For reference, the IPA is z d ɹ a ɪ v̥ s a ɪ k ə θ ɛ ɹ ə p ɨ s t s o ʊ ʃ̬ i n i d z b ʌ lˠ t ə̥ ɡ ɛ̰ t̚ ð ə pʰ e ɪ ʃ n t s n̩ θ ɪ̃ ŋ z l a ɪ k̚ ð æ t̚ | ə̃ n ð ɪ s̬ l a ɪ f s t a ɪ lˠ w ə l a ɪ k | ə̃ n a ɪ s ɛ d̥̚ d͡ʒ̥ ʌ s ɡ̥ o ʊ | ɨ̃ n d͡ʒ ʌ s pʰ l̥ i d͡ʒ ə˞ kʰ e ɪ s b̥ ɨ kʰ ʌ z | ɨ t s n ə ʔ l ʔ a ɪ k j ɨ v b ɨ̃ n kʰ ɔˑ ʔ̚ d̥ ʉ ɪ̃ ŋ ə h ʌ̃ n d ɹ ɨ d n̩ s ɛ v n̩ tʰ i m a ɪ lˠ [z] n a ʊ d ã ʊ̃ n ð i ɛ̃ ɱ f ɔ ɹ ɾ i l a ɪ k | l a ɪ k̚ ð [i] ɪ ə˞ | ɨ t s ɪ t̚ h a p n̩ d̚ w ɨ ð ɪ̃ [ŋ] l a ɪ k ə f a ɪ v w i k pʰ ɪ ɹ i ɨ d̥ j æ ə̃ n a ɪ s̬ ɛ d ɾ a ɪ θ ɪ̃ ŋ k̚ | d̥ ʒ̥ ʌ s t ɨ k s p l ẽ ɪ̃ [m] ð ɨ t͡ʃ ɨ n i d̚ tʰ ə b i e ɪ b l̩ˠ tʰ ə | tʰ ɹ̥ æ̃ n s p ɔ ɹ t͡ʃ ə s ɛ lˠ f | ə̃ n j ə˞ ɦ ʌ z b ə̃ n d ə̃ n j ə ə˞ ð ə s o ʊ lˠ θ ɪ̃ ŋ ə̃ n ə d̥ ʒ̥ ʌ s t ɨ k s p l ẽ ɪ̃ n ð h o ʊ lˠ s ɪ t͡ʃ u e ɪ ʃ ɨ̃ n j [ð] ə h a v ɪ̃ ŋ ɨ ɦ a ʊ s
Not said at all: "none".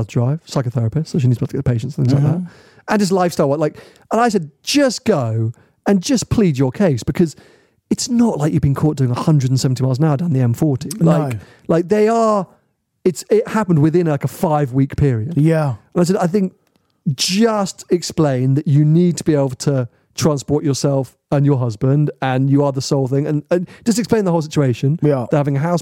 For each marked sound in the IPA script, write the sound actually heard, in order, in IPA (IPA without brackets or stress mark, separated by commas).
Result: z, e, n, n, ð